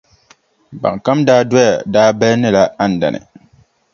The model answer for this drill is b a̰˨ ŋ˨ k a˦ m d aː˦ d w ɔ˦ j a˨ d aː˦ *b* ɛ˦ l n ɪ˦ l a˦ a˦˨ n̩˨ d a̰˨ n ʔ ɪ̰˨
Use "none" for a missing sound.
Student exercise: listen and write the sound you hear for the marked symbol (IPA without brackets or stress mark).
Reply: b